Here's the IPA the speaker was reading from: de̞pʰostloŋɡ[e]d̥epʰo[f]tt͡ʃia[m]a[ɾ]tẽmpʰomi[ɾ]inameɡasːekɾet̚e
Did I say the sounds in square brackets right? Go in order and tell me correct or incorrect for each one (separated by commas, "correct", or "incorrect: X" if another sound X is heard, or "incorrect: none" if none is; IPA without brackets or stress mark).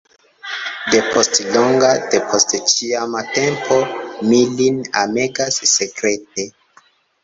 incorrect: a, incorrect: s, correct, incorrect: none, incorrect: l